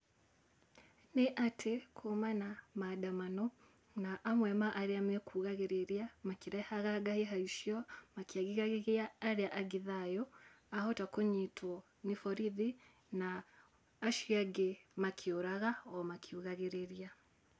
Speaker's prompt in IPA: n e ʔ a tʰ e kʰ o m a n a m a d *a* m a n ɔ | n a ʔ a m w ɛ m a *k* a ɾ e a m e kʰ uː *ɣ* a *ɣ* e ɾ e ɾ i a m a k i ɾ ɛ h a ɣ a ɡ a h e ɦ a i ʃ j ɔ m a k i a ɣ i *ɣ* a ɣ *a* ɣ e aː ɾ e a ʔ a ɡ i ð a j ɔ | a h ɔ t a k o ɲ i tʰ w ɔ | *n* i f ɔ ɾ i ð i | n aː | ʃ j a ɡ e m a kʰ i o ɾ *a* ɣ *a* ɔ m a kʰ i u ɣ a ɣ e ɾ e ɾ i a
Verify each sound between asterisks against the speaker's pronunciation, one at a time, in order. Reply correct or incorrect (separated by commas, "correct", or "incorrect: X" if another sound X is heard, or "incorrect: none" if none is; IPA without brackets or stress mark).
correct, incorrect: ʔ, correct, correct, correct, incorrect: e, correct, correct, correct